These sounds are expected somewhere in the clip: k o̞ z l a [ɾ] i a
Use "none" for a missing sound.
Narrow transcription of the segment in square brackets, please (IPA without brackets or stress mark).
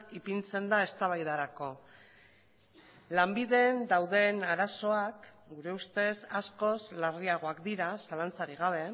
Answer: r